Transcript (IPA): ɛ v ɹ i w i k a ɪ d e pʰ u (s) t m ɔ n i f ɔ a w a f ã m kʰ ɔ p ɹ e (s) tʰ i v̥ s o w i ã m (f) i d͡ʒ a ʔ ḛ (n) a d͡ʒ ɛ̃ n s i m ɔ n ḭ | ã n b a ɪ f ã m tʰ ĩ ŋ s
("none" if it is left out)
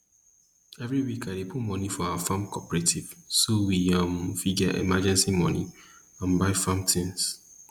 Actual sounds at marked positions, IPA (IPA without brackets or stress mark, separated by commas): none, none, f, m